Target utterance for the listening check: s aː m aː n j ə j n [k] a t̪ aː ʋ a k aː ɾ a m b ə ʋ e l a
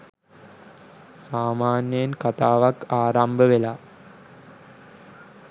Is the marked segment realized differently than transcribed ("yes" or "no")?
no